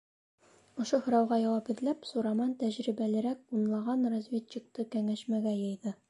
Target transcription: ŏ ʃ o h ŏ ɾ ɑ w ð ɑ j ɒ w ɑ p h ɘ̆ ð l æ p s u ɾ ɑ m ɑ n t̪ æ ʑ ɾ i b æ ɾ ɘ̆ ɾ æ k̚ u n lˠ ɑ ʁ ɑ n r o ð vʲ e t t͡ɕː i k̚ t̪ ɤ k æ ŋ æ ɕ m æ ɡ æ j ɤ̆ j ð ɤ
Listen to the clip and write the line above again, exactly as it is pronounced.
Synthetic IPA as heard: ŏ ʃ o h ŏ ɾ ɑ w ʁ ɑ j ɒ w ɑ p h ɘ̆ ð l æ p s u ɾ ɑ m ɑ n t̪ æ ʑ ɾ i b æ l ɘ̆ ɾ æ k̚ u n lˠ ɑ ʁ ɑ n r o z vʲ e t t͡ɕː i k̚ t̪ ɤ k æ ŋ æ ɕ m æ ɡ æ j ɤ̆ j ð ɤ

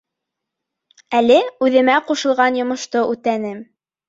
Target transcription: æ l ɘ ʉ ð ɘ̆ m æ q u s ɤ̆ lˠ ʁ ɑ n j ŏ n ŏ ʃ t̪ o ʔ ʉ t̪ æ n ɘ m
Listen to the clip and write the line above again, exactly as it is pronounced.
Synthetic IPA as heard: æ l ɘ ʉ ð ɘ̆ m æ q u ʃ ɤ̆ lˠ ʁ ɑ n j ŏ m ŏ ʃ t̪ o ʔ ʉ t̪ æ n ɘ m

